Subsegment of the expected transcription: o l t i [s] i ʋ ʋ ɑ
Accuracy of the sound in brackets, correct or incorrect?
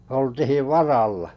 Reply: incorrect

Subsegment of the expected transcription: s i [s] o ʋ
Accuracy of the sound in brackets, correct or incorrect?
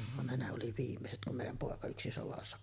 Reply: correct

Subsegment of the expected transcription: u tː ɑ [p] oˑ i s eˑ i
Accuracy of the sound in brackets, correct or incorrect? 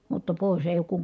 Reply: correct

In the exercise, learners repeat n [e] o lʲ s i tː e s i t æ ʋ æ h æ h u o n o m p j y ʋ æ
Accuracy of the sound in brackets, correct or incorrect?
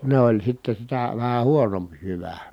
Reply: correct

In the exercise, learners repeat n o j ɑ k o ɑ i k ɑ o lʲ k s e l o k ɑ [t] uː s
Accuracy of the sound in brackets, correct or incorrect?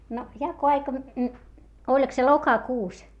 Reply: incorrect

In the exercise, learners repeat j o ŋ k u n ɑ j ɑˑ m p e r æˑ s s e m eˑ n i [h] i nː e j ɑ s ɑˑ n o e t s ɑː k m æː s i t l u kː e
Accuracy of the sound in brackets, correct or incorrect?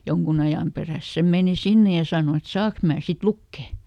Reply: incorrect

